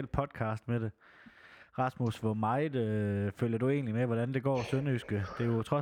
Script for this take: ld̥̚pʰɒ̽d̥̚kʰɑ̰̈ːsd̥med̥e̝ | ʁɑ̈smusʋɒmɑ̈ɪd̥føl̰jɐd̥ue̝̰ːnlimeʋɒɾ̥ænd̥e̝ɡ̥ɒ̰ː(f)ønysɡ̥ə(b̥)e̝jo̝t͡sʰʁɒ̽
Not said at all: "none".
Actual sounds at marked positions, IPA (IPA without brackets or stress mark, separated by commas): s, d̥